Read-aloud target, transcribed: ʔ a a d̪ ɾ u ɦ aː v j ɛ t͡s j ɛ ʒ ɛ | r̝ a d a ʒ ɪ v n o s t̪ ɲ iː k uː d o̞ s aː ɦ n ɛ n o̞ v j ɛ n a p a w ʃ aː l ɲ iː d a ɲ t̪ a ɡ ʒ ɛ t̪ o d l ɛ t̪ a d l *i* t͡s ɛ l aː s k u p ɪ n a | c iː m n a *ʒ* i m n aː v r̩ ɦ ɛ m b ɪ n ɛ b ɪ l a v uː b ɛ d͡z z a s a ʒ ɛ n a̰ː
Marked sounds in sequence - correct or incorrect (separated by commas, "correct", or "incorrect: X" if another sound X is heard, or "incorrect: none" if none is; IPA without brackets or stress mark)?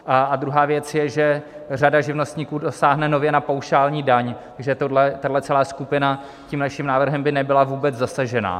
incorrect: ɛ, incorrect: ʃ